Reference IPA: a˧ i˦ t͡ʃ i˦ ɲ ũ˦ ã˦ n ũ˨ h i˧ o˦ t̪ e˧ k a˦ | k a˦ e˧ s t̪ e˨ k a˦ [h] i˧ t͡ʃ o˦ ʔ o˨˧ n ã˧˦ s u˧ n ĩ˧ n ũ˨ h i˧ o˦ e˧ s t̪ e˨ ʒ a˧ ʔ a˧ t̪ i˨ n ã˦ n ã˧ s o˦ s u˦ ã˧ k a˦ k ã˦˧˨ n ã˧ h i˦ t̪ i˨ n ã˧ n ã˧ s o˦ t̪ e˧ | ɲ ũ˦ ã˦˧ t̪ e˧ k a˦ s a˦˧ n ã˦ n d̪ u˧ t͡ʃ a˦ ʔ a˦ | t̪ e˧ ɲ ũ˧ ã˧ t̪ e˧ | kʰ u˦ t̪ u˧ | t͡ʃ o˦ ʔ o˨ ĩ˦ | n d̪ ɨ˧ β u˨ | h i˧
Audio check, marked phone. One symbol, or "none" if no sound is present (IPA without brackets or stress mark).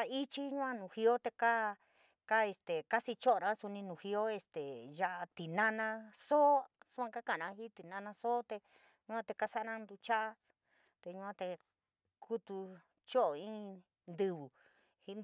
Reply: s